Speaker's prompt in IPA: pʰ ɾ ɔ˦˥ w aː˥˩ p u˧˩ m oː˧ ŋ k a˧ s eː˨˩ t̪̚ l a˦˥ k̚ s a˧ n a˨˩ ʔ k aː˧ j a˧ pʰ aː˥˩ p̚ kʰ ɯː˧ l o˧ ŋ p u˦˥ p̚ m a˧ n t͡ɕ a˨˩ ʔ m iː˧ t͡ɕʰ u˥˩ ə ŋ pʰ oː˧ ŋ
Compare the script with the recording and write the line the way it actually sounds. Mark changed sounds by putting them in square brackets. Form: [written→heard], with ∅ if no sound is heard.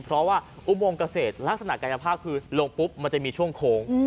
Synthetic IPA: pʰ ɾ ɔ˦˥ w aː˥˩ [p→ʔ] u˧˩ m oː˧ ŋ k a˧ s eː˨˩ t̪̚ l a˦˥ k̚ s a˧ n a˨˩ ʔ k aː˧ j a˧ pʰ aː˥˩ p̚ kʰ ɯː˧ l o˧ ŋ p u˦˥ p̚ m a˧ n t͡ɕ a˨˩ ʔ m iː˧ t͡ɕʰ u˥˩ ə ŋ [pʰ→kʰ] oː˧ ŋ